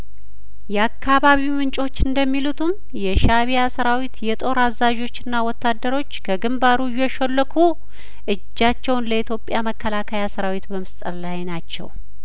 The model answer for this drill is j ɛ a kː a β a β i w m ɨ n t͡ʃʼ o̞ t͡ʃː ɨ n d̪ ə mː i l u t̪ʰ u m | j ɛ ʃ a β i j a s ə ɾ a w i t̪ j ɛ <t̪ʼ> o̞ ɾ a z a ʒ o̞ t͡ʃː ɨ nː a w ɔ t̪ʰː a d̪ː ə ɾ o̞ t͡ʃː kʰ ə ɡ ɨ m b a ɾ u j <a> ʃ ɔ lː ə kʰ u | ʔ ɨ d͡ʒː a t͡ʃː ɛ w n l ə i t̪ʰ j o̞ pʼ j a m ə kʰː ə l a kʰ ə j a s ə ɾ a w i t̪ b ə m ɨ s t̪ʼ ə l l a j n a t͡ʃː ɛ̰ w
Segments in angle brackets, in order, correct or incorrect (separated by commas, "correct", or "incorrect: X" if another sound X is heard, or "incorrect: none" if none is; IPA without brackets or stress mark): correct, incorrect: ɛ